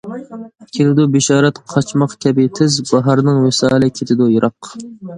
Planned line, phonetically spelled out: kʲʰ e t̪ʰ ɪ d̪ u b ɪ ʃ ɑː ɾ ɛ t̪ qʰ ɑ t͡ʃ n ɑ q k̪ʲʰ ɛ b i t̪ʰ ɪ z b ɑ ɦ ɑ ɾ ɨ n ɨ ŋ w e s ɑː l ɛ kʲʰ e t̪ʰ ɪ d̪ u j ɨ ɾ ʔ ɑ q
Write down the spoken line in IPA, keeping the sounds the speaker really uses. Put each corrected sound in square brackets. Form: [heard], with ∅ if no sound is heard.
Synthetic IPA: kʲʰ e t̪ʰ ɪ d̪ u b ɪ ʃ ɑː ɾ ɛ t̪ qʰ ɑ t͡ʃ [m] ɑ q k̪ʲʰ ɛ b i t̪ʰ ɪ z b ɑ ɦ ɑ ɾ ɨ n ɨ ŋ w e s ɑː l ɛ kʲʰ e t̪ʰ ɪ d̪ u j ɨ ɾ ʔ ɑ q